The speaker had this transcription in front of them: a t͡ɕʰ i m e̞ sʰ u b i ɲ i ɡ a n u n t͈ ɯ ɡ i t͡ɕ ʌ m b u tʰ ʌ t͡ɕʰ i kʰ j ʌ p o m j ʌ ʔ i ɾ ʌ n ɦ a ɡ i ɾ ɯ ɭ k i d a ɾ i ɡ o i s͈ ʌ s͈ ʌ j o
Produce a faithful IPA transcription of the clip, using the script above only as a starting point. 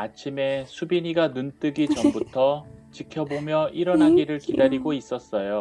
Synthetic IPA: a t͡ɕʰ i m e̞ sʰ u b i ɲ i ɡ a n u n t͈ ɯ ɡ i t͡ɕ ʌ m b u tʰ ʌ t͡ɕ i kʰ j ʌ b o m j ʌ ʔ i ɾ ʌ n ɦ a ɡ i ɾ ɯ ɭ k i d a ɾ i ɡ o i s͈ ʌ s͈ ʌ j o

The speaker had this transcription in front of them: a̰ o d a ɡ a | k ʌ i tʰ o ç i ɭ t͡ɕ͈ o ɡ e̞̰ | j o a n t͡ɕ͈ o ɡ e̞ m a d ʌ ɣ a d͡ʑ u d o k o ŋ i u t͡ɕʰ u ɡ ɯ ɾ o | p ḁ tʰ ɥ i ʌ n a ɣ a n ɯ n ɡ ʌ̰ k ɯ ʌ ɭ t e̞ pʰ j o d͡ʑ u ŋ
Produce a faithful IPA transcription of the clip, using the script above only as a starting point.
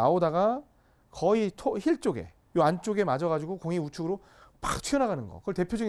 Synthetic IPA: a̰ o d a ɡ a | k ʌ i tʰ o ç i ɭ t͡ɕ͈ o ɡ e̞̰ | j o a n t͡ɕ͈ o ɡ e̞ m a d͡ʑ ʌ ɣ a d͡ʑ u ɡ o k o ŋ i u t͡ɕʰ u ɡ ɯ ɾ o | p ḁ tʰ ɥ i ʌ n a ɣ a n ɯ n ɡ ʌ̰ k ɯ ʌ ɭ t e̞ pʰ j o d͡ʑ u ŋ

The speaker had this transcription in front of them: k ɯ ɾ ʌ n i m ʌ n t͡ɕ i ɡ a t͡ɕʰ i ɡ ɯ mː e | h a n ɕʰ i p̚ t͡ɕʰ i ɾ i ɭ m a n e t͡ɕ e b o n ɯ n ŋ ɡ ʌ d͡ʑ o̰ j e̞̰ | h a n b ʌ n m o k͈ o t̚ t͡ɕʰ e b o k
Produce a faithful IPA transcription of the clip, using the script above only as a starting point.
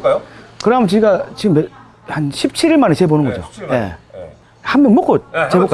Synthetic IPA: k ɯ ɾ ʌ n a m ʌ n t͡ɕ i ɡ a t͡ɕ i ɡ ɯ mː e | h a n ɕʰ i p̚ t͡ɕʰ i ɾ i ɭ m a n e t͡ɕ e b o n ɯ n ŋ ɡ ʌ d͡ʑ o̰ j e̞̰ | h a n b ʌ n m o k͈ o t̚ t͡ɕ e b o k

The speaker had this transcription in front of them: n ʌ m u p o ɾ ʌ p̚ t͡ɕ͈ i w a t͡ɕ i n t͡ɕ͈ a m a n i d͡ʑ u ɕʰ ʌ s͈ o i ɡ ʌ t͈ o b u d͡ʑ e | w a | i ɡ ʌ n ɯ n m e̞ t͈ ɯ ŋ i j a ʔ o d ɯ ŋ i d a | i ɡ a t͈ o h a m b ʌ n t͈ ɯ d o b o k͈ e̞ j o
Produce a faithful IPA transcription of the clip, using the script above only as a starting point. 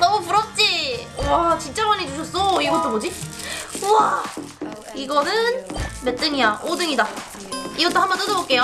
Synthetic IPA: n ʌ m u p u ɾ ʌ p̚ t͡ɕ͈ i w a t͡ɕ i n t͡ɕ͈ a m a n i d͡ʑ u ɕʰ ʌ s͈ o i ɡ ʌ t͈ o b o d͡ʑ i | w a | i ɡ ʌ n ɯ n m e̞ t͈ ɯ ŋ i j a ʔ o d ɯ ŋ i d a | i ɡ ʌ t͈ o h a m b ʌ n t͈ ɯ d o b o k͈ e̞ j o

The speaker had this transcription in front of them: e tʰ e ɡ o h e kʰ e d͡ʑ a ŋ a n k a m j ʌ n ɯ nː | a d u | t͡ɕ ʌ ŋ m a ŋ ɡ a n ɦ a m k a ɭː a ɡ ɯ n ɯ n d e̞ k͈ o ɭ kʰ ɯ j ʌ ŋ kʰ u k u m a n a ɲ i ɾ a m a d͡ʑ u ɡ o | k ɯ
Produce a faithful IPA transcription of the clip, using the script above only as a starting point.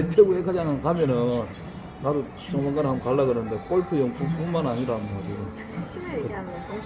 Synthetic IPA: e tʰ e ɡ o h e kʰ a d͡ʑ a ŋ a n k a m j ʌ n ɯ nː | a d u | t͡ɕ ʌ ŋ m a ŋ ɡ a n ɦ a m k a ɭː a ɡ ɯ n ɯ n d e̞ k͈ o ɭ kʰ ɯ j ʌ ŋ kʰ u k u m a n a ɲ i ɾ a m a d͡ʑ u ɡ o | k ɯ

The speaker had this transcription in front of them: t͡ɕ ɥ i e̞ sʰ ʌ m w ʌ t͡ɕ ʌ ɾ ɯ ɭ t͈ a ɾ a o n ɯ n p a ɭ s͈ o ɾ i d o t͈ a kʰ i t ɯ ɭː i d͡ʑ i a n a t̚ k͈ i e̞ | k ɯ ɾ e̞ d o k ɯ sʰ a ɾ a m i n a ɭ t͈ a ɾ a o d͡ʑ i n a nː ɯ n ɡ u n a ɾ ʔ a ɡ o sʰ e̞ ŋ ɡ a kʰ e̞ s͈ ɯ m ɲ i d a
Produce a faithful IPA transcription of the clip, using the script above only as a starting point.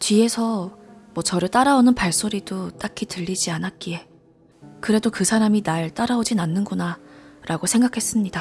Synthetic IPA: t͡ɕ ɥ i e̞ sʰ ʌ m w ʌ t͡ɕ ʌ ɾ ɯ ɭ t͈ a ɾ a o n ɯ n p a ɭ s͈ o ɾ i d o t͈ a kʰ i t ɯ ʎː i d͡ʑ i a n a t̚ k͈ i e̞ | k ɯ ɾ e̞ d o k ɯ sʰ a ɾ a m i n a ɭ t͈ a ɾ a o d͡ʑ i n a nː ɯ n ɡ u n a ɾ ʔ a ɡ o sʰ e̞ ŋ ɡ a kʰ e̞ s͈ ɯ m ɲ i d a

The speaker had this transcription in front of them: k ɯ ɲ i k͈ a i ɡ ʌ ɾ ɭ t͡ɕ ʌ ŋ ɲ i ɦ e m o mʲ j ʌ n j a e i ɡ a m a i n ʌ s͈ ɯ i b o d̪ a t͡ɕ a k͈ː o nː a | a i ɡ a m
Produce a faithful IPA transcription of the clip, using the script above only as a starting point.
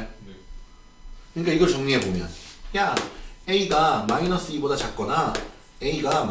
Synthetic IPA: k ɯ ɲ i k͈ a i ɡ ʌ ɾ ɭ t͡ɕ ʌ ŋ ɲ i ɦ e b o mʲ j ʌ n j a e i ɡ a m a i n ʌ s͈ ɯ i b o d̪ a t͡ɕ a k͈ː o n a | e i ɡ a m

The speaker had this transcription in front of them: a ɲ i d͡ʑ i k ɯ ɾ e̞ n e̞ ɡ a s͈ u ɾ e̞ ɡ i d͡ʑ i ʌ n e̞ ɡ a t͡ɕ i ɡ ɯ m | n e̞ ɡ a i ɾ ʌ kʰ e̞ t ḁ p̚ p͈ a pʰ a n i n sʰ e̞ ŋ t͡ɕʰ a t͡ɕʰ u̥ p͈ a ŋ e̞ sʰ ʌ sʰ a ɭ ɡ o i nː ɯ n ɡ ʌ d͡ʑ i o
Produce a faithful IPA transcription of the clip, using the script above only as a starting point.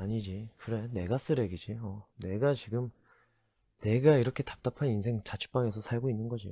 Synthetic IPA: a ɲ i d͡ʑ i k ɯ ɾ e̞ n e̞ ɡ a s͈ ɯ ɾ e̞ ɡ i d͡ʑ i ʌ n e̞ ɡ a t͡ɕ i ɡ ɯ m | n e̞ ɡ a i ɾ ʌ kʰ e̞ t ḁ p̚ t͈ a pʰ a n i n sʰ e̞ ŋ t͡ɕ a t͡ɕʰ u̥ p͈ a ŋ e̞ sʰ ʌ sʰ a ɭ ɡ o i nː ɯ n ɡ ʌ d͡ʑ i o

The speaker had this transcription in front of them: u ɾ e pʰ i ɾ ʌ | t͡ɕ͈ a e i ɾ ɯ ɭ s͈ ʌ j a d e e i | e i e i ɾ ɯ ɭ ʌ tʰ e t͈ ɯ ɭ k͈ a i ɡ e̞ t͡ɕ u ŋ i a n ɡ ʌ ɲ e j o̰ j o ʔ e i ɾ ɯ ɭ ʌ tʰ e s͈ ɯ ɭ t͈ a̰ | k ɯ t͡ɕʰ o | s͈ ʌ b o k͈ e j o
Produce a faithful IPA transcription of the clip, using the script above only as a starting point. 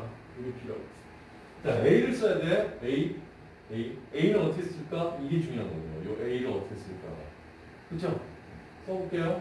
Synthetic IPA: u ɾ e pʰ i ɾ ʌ | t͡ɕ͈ a e i ɾ ɯ ɭ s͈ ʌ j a d e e i | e i e i ɾ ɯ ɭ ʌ tʰ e s͈ ɯ ɭ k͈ a i ɡ e̞ t͡ɕ u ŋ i a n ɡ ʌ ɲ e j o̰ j o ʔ e i ɾ ɯ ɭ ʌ tʰ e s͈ ɯ ɭ k͈ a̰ | k ɯ t͡ɕʰ o | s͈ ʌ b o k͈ e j o

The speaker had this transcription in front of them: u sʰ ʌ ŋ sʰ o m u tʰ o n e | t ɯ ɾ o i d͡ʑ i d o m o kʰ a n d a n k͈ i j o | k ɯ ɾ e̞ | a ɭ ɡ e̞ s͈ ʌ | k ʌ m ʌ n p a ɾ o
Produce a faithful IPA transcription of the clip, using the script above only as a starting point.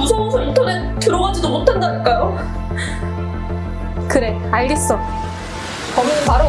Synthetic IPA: u sʰ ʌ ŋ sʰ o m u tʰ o n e | t ɯ ɾ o a d͡ʑ i d o m o tʰ a n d a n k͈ a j o | k ɯ ɾ e̞ | a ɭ ɡ e̞ s͈ ʌ | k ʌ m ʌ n p a ɾ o

